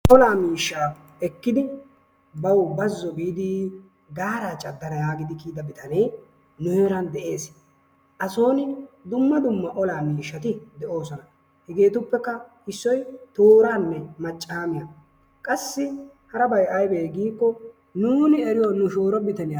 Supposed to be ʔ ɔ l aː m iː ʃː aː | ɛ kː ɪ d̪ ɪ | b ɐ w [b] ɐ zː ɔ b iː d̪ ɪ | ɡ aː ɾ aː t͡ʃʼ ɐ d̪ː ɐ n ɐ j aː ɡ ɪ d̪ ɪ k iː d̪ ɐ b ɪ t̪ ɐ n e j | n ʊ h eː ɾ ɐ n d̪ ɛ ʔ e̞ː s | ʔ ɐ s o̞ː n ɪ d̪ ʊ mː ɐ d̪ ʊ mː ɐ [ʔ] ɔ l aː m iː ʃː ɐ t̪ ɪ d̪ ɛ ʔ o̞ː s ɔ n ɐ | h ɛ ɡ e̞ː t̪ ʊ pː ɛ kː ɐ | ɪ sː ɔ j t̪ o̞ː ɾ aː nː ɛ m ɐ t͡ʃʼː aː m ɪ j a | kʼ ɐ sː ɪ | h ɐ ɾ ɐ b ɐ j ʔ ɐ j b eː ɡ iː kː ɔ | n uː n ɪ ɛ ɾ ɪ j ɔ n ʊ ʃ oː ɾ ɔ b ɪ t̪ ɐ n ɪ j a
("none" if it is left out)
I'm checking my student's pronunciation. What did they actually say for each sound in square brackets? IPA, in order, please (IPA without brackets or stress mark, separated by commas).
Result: b, ʔ